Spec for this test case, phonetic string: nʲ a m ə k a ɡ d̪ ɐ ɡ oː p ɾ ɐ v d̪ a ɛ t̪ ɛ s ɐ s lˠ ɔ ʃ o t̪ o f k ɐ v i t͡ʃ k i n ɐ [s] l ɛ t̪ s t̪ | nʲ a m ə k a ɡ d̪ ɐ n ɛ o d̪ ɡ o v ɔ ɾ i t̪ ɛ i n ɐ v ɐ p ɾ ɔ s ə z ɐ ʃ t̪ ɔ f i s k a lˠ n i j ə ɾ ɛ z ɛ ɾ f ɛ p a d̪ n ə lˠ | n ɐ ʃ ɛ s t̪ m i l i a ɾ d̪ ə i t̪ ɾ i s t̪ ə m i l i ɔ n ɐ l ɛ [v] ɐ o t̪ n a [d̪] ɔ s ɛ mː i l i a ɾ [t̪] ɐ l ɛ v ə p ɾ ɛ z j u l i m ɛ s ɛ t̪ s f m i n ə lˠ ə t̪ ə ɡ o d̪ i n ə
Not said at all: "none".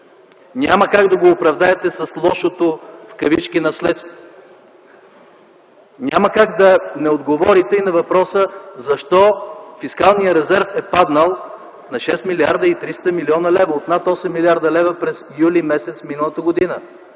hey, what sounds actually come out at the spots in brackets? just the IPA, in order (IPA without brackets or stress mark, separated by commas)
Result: s, v, t̪, d̪